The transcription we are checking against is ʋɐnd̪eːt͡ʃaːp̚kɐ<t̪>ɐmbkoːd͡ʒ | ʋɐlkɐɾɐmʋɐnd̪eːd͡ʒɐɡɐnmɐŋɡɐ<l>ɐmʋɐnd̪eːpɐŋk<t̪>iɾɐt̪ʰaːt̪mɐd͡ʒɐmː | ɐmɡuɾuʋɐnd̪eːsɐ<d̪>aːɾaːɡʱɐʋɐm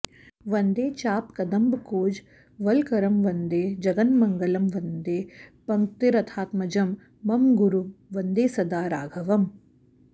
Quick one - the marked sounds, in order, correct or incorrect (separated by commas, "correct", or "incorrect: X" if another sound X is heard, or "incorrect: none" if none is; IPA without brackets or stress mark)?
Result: incorrect: d̪, correct, correct, correct